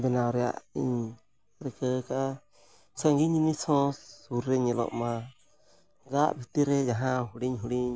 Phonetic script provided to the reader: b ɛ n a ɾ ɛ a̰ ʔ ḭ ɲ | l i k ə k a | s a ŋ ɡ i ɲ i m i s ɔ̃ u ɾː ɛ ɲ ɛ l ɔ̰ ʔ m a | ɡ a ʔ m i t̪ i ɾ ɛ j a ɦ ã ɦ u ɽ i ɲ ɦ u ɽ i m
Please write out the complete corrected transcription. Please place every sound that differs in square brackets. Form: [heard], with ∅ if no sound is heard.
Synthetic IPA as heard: b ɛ n a ɾ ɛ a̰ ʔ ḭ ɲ | [ɾ] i k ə k a | s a ŋ ɡ i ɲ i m i s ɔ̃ u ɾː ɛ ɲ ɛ l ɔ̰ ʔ m a | ɡ a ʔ [b] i t̪ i ɾ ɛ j a ɦ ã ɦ u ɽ i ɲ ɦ u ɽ i [ɲ]